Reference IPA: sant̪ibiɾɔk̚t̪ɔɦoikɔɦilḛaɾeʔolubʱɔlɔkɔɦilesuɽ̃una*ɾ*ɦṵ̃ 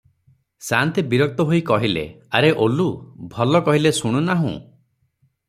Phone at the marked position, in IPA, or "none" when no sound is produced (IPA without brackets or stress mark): none